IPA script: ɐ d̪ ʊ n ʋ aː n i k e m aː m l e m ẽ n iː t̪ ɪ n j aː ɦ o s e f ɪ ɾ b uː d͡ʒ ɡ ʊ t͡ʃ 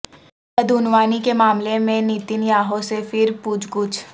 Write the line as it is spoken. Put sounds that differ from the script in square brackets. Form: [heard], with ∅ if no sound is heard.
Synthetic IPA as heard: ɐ d̪ ʊ n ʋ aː n i k e m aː m l e m ẽ n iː t̪ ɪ n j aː ɦ o s e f ɪ ɾ [p] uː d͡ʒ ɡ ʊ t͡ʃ